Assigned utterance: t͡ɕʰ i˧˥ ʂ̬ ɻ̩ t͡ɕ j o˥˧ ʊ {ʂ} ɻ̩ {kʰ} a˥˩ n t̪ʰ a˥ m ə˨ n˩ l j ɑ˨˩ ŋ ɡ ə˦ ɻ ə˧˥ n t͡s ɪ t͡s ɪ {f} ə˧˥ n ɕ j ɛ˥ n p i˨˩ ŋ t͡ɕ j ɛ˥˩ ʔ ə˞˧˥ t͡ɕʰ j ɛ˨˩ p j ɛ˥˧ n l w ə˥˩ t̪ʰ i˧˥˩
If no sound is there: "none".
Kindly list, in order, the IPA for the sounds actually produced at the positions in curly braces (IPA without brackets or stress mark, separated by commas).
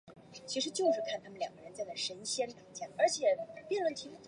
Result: ʂ, kʰ, ʂ